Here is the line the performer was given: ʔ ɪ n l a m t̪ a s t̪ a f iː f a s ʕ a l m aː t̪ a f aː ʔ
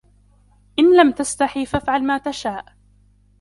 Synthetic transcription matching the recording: ʔ ɪ n l a m t̪ a s t̪ a ħ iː f a f ʕ a l m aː t̪ a ʃ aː ʔ